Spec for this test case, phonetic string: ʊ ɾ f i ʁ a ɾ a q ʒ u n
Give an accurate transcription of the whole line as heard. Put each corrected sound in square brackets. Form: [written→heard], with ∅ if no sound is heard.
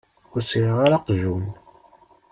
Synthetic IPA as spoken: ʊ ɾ [f→s] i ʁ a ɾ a q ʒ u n